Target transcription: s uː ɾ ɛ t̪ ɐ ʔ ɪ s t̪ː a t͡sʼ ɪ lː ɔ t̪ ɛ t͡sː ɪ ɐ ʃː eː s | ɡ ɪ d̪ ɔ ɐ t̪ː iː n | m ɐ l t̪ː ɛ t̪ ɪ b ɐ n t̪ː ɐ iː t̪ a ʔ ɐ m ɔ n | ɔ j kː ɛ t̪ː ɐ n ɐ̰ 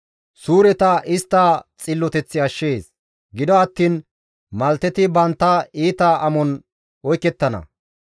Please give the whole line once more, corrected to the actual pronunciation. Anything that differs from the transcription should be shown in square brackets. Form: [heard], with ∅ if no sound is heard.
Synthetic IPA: s uː ɾ ɛ t̪ ɐ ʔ ɪ s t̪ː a t͡sʼ ɪ lː ɔ t̪ ɛ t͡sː ɪ ɐ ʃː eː s | ɡ ɪ d̪ ɔ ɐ t̪ː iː n | m ɐ l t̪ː ɛ t̪ ɪ b ɐ n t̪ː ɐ iː t̪ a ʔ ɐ m ɔ n | ɔ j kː ɛ t̪ː ɐ n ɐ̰